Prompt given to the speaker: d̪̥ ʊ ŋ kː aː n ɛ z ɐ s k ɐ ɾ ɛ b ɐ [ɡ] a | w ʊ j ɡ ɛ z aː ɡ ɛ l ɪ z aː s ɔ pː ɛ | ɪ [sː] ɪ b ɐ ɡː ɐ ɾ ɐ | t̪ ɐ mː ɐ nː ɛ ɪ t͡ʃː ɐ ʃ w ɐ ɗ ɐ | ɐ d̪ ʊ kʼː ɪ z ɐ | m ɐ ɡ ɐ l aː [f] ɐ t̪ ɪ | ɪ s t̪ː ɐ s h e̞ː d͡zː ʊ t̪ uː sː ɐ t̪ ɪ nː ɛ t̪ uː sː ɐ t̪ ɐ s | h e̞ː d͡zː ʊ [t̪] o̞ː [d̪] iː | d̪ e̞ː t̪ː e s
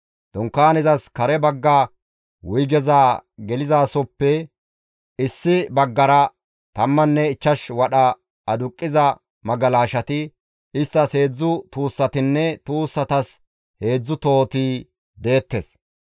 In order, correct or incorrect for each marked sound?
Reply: incorrect, correct, incorrect, correct, incorrect

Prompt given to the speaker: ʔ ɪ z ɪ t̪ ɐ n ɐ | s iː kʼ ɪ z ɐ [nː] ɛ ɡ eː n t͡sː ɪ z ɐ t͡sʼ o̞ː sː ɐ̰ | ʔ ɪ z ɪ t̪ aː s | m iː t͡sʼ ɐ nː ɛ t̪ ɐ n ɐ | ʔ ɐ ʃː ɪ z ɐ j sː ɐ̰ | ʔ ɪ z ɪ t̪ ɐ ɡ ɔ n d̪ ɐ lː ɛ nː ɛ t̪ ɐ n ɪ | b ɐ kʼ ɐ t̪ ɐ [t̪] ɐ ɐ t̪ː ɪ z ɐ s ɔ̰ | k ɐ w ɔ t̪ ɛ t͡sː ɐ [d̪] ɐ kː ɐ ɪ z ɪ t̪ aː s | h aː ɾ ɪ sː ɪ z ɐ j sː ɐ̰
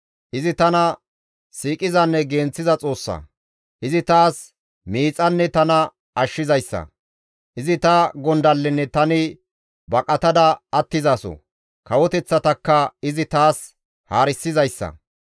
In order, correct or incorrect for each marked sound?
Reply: correct, incorrect, incorrect

